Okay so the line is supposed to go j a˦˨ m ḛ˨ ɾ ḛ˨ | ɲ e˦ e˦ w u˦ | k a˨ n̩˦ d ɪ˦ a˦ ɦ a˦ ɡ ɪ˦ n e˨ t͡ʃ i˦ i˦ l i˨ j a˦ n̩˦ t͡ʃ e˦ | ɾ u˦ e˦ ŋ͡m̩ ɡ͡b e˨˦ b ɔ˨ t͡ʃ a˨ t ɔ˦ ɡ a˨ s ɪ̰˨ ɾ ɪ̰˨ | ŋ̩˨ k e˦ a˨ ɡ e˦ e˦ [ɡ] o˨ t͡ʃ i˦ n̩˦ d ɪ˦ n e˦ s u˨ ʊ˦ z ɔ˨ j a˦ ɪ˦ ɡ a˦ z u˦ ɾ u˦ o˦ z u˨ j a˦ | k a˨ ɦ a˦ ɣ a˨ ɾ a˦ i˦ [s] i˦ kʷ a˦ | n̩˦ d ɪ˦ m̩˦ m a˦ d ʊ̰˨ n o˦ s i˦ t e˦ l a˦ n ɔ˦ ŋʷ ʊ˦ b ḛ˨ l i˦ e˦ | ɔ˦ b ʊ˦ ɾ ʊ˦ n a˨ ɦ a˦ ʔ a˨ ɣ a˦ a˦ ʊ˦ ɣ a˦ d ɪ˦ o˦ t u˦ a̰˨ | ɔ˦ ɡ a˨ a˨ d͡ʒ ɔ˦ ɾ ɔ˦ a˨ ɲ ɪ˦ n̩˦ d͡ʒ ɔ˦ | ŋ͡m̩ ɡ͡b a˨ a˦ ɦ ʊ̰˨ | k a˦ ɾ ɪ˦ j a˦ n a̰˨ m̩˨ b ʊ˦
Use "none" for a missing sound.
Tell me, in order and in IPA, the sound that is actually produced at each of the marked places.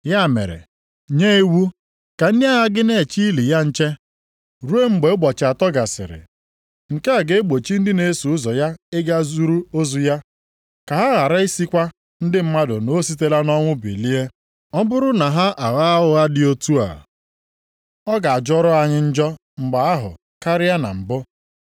ɡ͡b, s

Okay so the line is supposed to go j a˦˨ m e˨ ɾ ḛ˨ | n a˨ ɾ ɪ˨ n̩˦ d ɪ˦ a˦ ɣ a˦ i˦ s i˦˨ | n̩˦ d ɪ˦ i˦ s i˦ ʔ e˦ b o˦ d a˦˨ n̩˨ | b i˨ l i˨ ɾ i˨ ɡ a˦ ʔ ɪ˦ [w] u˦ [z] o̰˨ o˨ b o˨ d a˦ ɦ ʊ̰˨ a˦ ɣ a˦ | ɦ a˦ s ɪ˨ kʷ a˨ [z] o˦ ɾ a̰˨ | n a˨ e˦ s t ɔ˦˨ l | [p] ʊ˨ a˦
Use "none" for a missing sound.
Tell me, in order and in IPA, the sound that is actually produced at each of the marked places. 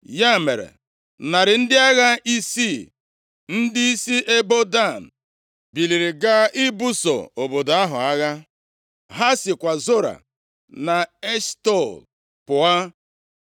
b, s, z, p

